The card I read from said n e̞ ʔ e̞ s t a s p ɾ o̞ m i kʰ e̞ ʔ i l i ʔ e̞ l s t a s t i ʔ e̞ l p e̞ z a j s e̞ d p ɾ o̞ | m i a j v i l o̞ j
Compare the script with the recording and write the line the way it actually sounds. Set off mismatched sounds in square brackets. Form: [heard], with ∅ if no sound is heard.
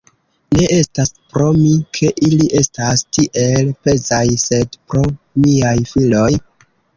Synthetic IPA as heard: n e̞ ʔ e̞ s t a s p ɾ o̞ m i kʰ e̞ ʔ i l i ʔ e̞ [∅] s t a s t i ʔ e̞ l p e̞ z a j s e̞ d p ɾ o̞ | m i a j [f] i l o̞ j